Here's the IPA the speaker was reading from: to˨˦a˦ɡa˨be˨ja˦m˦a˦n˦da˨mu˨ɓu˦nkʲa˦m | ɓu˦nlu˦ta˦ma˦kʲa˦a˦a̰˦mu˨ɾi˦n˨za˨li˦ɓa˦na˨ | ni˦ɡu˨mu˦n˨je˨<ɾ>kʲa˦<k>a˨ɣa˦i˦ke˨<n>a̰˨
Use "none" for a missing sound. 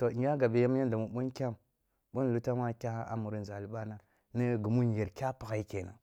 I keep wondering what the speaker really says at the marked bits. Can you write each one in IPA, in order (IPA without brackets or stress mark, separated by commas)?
ɾ, p, n